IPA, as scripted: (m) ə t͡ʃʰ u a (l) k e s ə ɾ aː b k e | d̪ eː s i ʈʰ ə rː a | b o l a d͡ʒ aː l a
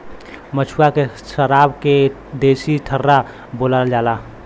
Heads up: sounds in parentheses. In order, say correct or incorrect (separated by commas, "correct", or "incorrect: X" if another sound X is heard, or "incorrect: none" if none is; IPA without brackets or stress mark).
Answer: correct, incorrect: none